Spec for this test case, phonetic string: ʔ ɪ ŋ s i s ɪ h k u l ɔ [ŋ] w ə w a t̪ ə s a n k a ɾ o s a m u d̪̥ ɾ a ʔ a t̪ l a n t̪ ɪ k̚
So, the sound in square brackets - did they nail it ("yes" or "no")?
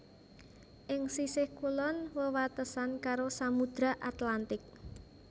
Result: no